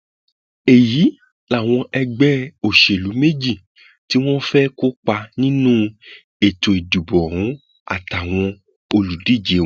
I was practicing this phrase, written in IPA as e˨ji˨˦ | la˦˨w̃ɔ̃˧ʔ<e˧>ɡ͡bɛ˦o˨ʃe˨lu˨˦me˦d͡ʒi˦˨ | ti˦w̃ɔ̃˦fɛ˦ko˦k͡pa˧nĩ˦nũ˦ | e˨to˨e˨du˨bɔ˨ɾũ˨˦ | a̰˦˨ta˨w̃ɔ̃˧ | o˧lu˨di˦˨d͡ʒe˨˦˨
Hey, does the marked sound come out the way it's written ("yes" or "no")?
no